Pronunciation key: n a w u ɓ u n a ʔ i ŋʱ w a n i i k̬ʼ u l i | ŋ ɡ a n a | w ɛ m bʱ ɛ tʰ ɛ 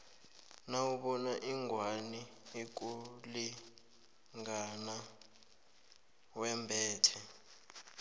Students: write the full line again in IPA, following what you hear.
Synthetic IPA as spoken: n a w u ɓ ɔ n a ʔ i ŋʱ w a n i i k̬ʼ u l i | ŋ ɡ a n a | w ɛ m bʱ ɛː tʰ ɛ